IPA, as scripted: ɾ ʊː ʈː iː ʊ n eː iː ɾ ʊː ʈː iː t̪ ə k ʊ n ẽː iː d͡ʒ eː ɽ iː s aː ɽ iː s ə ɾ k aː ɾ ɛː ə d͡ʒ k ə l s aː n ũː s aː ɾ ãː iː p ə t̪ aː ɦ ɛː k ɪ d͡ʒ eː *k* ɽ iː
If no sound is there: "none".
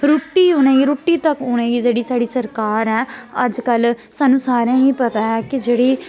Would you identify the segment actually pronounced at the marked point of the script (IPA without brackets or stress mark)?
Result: none